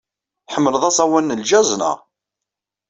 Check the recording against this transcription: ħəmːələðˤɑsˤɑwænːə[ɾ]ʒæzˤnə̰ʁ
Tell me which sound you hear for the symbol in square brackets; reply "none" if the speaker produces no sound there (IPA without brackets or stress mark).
l